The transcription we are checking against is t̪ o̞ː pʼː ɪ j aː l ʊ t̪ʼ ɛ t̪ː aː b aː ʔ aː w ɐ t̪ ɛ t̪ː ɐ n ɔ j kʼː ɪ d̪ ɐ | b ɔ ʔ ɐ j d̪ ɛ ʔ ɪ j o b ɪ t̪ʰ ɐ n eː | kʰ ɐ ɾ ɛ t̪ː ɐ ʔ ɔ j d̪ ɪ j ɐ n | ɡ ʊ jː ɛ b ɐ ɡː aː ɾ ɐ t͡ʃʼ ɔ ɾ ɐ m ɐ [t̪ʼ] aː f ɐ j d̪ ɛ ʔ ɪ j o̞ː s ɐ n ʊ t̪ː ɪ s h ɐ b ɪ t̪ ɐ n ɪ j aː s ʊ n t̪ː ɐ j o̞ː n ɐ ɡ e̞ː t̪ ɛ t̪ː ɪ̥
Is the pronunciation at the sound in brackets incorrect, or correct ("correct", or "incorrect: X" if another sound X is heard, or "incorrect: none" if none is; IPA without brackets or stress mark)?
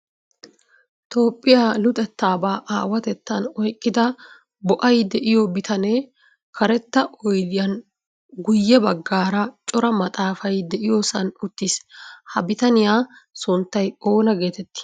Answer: correct